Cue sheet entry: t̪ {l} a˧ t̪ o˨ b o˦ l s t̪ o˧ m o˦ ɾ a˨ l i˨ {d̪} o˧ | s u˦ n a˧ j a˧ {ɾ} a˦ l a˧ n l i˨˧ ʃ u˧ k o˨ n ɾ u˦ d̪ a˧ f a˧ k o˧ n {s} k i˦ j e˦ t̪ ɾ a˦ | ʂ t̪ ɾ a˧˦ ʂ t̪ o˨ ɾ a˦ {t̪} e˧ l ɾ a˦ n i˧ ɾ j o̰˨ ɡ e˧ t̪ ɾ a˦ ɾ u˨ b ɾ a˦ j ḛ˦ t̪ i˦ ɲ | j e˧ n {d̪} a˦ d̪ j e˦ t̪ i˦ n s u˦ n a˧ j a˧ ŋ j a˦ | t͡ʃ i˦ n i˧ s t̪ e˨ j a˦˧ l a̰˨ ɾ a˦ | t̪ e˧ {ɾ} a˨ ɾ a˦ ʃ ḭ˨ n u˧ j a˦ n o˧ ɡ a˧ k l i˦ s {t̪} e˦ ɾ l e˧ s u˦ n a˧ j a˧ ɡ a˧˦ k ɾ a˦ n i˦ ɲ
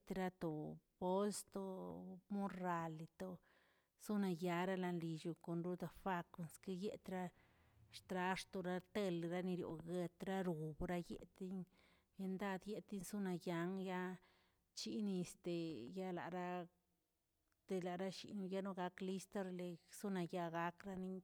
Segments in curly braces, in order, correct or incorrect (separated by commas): incorrect, incorrect, correct, correct, correct, correct, incorrect, correct